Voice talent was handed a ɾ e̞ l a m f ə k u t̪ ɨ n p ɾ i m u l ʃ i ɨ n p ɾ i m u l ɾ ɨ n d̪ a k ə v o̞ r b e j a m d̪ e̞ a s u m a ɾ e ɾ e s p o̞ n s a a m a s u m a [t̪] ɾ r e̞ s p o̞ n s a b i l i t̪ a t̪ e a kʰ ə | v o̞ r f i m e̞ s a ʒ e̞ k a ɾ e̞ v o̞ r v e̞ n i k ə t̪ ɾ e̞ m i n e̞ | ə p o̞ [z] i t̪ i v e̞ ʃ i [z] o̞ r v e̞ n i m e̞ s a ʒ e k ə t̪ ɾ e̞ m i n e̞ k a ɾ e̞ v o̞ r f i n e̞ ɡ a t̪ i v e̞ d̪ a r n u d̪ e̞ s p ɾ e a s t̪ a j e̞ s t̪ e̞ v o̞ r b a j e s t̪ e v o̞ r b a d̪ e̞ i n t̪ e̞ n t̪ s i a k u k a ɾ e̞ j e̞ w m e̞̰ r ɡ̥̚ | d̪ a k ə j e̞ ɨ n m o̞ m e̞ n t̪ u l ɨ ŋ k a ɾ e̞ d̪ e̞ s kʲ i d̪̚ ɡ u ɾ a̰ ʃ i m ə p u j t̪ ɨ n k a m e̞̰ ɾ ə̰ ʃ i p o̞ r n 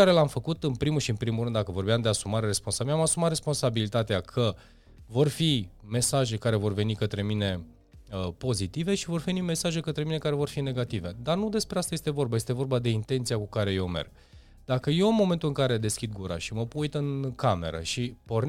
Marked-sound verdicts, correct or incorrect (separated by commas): correct, correct, incorrect